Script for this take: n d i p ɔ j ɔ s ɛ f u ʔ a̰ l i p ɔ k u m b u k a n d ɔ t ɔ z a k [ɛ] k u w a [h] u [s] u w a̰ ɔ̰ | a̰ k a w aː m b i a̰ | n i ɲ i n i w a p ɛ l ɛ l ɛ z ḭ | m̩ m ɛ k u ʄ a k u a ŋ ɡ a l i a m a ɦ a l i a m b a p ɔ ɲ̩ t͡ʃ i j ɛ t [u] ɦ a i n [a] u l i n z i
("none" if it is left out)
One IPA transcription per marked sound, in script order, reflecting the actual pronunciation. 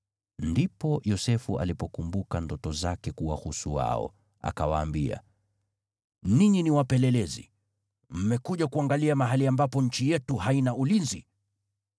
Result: ɛ, h, s, u, a

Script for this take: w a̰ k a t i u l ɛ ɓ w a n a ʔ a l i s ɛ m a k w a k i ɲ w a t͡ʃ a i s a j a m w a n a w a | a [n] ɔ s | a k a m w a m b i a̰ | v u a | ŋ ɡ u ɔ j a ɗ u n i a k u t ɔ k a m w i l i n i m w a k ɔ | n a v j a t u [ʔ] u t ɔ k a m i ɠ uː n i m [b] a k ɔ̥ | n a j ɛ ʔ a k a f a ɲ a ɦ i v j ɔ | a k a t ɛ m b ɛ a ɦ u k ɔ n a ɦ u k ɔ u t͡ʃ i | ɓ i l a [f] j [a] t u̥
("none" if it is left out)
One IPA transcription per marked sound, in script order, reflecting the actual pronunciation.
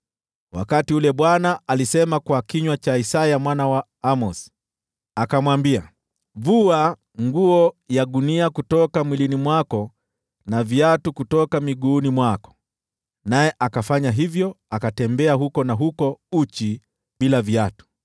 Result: m, k, w, v, a

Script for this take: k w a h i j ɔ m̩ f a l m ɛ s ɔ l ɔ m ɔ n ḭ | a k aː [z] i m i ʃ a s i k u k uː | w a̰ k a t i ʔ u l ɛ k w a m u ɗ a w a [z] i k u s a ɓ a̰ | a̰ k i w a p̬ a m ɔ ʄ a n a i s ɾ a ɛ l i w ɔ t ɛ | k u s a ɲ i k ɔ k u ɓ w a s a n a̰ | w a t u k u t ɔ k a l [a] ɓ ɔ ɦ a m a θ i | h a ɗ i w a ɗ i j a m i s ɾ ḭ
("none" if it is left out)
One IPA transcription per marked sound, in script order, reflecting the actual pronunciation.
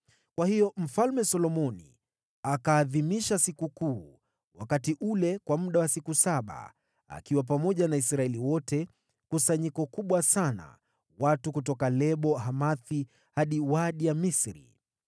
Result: ð, s, ɛ

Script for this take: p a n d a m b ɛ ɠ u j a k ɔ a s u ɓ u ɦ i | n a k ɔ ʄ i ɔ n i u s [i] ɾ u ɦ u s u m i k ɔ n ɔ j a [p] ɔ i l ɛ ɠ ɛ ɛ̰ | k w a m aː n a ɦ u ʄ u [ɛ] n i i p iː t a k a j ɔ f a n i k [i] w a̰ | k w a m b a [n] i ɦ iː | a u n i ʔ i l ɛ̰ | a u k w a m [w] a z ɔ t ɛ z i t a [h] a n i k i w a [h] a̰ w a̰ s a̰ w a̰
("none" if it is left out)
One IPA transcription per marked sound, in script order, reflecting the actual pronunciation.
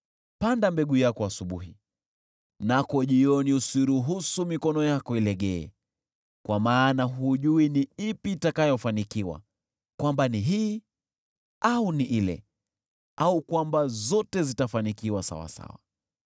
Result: i, k, i, i, n, b, f, s

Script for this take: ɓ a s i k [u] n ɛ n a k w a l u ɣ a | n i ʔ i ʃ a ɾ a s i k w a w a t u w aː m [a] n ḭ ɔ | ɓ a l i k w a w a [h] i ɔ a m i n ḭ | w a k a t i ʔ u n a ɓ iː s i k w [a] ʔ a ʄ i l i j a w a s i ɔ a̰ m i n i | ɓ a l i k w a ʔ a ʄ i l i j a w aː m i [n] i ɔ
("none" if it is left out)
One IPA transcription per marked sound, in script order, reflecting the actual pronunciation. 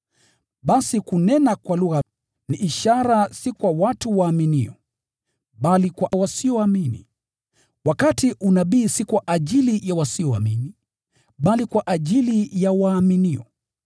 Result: u, i, s, a, n

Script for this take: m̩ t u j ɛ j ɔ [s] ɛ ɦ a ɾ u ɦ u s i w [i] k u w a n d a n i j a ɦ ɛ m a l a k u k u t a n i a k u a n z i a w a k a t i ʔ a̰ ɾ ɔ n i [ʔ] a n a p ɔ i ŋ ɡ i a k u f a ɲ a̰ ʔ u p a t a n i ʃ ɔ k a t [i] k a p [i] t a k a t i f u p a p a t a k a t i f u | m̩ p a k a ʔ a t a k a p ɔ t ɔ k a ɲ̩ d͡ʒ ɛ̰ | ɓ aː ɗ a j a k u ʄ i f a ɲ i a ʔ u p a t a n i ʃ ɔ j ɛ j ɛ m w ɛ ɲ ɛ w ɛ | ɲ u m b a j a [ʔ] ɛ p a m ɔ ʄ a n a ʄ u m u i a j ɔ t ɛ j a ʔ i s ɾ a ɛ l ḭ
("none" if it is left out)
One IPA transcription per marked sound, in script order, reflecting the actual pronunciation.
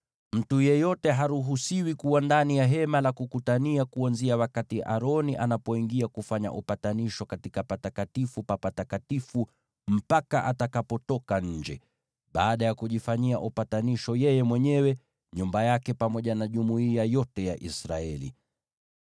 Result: t, i, ʔ, i, a, k

